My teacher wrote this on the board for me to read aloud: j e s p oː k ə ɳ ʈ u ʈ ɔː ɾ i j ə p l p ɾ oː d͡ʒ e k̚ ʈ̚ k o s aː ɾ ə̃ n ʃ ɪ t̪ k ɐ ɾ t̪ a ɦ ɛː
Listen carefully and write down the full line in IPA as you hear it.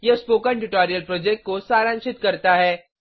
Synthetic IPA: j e s p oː k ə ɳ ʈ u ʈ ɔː ɾ i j ə l p ɾ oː d͡ʒ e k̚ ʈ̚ k o s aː ɾ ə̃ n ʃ ɪ t̪ k ɐ ɾ t̪ a ɦ ɛː